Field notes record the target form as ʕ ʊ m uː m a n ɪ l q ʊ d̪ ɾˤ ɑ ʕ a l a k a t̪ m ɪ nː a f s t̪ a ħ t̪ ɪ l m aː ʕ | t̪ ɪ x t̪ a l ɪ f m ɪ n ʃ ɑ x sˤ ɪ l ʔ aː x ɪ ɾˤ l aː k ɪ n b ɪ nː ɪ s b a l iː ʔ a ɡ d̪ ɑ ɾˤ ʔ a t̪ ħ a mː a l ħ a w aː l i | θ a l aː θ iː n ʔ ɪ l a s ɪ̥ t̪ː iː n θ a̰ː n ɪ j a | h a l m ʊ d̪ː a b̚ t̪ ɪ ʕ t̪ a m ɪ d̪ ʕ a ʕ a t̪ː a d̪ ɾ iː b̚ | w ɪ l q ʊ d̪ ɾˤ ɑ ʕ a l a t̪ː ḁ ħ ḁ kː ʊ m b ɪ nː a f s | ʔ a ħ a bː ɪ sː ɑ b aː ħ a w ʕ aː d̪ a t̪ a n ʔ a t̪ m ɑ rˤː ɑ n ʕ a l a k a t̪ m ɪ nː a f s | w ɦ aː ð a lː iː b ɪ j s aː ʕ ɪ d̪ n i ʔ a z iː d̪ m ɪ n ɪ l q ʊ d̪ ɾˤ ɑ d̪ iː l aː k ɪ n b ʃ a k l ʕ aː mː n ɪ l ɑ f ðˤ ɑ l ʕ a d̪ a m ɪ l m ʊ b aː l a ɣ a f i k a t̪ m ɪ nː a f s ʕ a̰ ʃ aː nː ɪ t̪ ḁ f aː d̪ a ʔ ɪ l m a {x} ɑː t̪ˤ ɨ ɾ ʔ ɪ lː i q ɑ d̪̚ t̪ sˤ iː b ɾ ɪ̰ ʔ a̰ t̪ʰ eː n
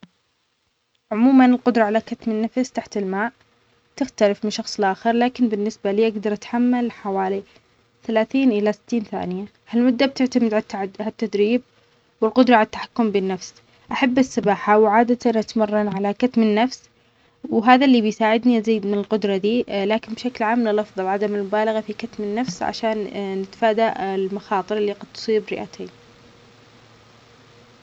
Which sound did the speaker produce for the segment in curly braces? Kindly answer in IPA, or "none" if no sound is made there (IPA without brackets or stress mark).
x